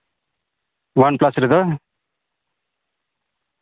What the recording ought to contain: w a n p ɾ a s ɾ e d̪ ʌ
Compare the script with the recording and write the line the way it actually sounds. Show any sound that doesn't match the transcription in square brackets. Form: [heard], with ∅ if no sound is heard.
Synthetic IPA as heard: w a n p [l] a s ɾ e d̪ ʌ